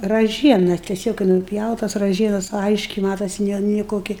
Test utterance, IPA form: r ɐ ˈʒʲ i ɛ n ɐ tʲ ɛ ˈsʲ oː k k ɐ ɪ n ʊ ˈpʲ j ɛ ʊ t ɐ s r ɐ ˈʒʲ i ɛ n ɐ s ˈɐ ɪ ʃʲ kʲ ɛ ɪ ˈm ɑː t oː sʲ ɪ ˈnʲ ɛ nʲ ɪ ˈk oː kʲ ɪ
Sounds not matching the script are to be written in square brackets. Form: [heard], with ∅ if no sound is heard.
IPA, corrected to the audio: r ɐ ˈʒʲ i ɛ n ɐ tʲ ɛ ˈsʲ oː k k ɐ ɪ n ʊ ˈpʲ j ɛ ʊ t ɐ s r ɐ ˈʒʲ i ɛ n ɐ s ˈɐ ɪ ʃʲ kʲ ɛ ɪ ˈm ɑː t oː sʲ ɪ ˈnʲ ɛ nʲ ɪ ˈk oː kʲ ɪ